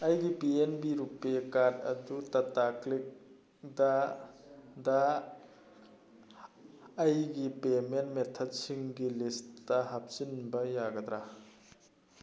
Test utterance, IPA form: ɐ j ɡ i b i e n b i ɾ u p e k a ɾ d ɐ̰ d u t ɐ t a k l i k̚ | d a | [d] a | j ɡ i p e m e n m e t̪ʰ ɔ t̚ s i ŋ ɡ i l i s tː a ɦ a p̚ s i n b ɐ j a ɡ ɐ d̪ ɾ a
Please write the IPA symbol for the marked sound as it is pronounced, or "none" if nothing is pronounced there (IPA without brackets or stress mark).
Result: d